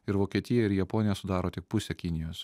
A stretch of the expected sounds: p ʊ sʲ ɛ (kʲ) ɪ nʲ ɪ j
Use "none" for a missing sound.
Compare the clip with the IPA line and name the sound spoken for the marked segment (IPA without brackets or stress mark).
kʲ